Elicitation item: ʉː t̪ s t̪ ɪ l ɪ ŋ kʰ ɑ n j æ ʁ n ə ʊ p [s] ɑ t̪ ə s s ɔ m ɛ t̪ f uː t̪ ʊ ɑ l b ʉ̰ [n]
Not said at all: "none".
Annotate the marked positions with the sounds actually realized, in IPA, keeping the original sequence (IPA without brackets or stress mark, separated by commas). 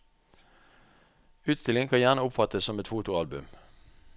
f, m